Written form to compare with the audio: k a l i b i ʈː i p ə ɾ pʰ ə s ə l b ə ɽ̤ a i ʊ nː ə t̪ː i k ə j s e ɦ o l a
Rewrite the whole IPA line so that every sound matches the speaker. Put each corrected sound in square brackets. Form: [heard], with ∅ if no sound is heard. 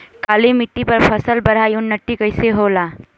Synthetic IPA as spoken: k a l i [m] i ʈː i p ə ɾ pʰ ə s ə l b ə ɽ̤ a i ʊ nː ə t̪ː i k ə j s e ɦ o l a